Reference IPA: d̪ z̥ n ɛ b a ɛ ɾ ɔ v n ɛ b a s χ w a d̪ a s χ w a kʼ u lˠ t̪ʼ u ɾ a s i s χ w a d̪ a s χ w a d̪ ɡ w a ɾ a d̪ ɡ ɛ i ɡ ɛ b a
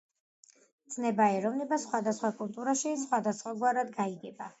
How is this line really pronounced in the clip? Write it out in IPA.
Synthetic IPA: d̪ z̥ n ɛ b a ɛ ɾ ɔ v n ɛ b a s χ w a d̪ a s χ w a kʼ u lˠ t̪ʼ u ɾ a ʃ i s χ w a d̪ a s χ w a ɡ w a ɾ a d̪ ɡ a i ɡ ɛ b a